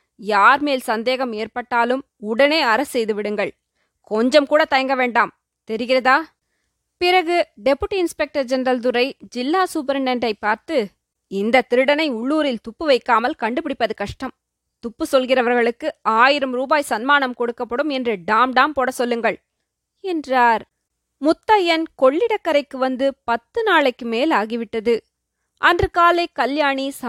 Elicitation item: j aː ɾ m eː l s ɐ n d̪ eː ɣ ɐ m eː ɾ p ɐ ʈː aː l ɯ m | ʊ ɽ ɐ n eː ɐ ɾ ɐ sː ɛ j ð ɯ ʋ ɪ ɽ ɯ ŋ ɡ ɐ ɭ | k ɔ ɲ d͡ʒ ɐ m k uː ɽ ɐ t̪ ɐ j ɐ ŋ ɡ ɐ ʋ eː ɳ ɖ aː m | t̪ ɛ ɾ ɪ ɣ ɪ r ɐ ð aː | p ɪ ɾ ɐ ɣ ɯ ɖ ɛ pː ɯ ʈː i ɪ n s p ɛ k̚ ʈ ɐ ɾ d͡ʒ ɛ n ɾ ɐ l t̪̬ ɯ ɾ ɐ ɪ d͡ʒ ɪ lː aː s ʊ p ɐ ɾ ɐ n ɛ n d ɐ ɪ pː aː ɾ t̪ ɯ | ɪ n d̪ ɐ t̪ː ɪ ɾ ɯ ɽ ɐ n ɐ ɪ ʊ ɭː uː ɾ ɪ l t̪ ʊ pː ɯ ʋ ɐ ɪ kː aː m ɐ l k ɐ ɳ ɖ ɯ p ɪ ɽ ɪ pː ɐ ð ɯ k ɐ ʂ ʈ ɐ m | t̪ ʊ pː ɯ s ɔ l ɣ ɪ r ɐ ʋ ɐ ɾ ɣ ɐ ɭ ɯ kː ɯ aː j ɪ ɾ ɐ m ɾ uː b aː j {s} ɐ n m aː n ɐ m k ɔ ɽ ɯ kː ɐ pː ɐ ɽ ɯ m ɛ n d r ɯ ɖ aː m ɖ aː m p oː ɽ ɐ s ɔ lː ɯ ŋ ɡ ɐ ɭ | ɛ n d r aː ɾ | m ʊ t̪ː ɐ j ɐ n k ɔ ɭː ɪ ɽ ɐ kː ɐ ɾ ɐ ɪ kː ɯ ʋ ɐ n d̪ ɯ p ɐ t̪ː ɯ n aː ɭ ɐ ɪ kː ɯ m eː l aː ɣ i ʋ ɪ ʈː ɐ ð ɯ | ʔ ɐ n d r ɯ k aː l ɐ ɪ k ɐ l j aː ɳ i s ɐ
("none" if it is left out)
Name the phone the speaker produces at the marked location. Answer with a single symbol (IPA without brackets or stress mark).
s